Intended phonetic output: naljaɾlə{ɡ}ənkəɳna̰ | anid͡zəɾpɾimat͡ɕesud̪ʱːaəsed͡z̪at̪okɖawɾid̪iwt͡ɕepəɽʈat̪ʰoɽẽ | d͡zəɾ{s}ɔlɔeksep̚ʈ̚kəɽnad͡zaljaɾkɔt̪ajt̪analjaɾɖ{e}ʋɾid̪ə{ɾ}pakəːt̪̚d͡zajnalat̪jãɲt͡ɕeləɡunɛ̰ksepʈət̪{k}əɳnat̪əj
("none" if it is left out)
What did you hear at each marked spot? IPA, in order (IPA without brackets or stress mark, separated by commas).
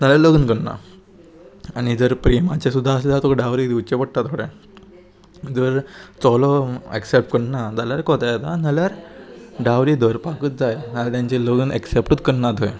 ɡ, t͡s, a, ɾ, k